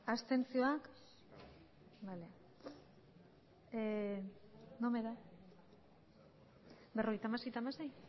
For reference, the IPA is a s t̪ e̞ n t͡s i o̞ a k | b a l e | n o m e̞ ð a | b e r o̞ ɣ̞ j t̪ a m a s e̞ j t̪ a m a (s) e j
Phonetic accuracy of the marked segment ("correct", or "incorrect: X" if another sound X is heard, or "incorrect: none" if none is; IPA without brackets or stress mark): correct